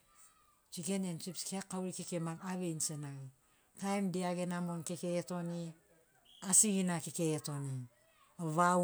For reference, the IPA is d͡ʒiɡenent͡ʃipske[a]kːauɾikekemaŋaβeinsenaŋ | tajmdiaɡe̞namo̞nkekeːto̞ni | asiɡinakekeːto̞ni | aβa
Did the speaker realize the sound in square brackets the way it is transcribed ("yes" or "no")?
yes